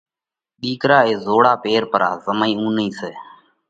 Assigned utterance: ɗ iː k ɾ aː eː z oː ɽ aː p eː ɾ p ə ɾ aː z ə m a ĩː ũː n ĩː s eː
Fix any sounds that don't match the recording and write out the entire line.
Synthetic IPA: ɗ iː k ɾ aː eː z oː ɽ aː p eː ɾ p ə ɾ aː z ə m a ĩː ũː n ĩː s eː